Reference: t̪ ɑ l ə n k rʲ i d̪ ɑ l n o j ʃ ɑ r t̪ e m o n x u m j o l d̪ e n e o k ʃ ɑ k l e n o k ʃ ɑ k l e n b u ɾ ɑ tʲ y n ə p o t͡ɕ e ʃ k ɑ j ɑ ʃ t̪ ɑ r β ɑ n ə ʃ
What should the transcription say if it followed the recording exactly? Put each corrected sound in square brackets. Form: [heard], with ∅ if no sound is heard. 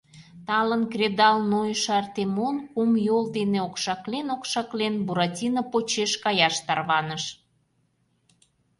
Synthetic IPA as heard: t̪ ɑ l ə n k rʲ [e] d̪ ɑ l n o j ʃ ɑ r t̪ e m o n [k] u m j o l d̪ e n e o k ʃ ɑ k l e n o k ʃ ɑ k l e n b u ɾ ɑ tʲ [i] n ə p o t͡ɕ e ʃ k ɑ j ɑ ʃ t̪ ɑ r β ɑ n ə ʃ

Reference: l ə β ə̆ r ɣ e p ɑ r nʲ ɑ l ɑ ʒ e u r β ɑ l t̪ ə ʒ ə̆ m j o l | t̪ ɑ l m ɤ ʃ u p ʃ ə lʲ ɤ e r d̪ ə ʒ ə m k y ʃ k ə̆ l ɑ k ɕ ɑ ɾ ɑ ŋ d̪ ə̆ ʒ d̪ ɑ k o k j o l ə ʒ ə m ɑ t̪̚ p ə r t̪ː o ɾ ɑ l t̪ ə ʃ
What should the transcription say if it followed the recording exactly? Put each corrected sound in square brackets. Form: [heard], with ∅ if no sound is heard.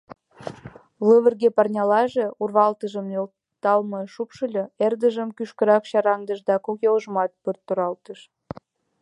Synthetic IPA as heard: l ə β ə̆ r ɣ e p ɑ r nʲ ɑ l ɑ ʒ e u r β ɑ l t̪ ə ʒ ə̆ m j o l | t̪ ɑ l m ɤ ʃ u p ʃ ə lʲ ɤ e r d̪ ə ʒ ə m k y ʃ k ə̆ [ɾ] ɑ k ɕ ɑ ɾ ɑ ŋ d̪ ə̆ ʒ d̪ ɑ k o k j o l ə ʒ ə m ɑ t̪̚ p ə r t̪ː o ɾ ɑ l t̪ ə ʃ

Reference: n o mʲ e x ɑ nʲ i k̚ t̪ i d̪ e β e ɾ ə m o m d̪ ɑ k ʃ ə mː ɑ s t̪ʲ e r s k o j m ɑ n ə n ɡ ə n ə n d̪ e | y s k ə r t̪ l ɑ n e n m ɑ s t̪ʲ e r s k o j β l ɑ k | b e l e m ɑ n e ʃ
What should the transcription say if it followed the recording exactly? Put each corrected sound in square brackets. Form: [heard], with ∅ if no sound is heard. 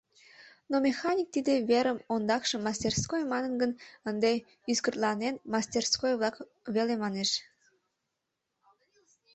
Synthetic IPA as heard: n o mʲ e x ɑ nʲ i k̚ t̪ i d̪ e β e ɾ ə m o [n] d̪ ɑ k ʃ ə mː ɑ s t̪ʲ e r s k o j m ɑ n ə n ɡ ə n ə n d̪ e | y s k ə r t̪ l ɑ n e n m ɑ s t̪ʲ e r s k o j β l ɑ k | [β] e l e m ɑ n e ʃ

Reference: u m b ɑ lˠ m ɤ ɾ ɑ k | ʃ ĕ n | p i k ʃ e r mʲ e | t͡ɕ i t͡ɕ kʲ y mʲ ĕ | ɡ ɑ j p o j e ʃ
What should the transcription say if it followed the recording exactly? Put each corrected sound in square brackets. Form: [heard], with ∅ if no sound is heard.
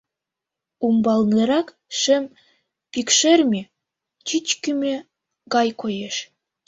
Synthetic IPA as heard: u m b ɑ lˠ [n] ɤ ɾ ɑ k | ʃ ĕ [m] | p i k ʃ e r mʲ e | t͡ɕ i t͡ɕ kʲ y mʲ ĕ | ɡ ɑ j [k] o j e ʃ

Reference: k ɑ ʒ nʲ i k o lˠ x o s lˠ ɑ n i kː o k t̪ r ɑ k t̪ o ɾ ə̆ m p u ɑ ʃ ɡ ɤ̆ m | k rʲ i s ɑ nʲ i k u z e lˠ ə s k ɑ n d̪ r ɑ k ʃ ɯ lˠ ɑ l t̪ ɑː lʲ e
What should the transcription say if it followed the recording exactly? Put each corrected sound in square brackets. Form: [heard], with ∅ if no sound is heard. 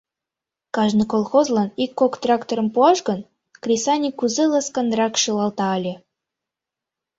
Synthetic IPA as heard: k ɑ ʒ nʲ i k o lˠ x o [z] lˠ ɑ n i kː o k t̪ r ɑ k t̪ o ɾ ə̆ m p u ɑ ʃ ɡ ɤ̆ [n] | k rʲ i s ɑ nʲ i k u z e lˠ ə s k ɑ n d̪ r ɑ k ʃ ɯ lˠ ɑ l t̪ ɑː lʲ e

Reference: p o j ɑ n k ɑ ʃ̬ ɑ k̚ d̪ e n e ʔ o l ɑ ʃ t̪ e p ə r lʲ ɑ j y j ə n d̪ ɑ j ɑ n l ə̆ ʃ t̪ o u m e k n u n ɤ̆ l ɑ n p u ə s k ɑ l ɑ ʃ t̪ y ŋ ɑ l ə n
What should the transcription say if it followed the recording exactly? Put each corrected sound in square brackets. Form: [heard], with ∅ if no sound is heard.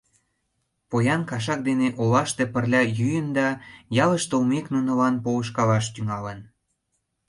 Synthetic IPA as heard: p o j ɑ n k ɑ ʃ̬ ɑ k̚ d̪ e n e ʔ o l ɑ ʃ t̪ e p ə r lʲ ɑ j y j ə n d̪ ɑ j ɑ [∅] l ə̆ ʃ t̪ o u m e k n u n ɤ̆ l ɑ n p [o] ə [ʃ] k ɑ l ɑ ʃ t̪ y ŋ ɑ l ə n

